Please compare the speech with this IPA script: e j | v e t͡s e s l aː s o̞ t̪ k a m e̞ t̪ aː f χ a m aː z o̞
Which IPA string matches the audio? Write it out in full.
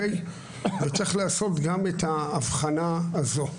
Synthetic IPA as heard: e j | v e t͡s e χ l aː s o̞ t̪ ɡ a m e̞ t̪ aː v χ a n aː z o̞